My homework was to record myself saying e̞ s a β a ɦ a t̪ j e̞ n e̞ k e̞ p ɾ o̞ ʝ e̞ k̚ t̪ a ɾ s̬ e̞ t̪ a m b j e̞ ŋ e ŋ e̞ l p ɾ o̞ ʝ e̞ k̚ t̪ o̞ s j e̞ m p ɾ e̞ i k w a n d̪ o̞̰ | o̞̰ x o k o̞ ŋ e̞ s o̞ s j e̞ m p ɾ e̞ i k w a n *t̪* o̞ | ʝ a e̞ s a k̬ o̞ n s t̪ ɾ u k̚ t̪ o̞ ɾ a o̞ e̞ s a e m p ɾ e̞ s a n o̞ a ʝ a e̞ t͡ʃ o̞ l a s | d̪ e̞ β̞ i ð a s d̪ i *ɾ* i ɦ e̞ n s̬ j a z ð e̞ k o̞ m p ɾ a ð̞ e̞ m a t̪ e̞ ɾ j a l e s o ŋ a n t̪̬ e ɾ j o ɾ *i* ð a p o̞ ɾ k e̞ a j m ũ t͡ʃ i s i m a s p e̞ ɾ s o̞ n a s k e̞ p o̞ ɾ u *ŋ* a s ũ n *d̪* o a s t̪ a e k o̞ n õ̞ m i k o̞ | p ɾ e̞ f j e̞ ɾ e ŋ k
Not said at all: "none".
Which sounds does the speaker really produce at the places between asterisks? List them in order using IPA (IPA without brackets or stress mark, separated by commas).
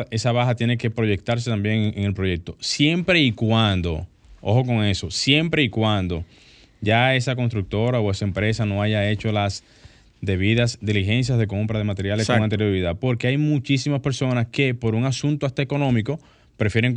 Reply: d̪, l, i, ŋ, t̪